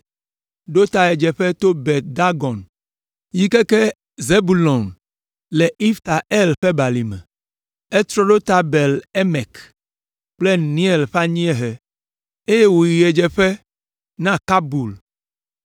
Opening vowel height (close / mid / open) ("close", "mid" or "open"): mid